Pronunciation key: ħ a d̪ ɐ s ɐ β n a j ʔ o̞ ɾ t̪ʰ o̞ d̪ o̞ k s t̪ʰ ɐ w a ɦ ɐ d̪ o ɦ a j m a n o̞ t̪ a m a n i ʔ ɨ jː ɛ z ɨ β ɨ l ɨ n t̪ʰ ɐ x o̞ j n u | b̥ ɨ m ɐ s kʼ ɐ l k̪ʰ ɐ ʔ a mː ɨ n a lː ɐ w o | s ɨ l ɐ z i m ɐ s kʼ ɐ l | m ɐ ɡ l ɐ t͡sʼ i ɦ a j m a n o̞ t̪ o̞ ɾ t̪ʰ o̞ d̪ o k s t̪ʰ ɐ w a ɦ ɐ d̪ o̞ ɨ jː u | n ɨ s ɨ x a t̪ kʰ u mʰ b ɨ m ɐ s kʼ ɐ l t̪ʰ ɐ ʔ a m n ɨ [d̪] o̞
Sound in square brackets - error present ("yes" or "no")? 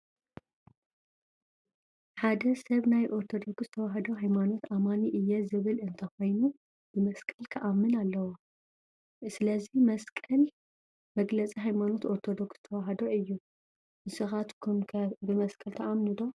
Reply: no